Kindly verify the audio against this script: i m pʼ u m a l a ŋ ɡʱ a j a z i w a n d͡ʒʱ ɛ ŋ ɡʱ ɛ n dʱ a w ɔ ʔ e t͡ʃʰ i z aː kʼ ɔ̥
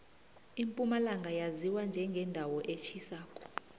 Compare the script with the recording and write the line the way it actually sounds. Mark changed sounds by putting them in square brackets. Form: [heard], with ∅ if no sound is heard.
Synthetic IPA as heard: i m pʼ u m a l a ŋ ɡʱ a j a z i w a n d͡ʒʱ ɛ ŋ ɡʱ ɛ n dʱ a w ɔ ʔ e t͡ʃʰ i [s] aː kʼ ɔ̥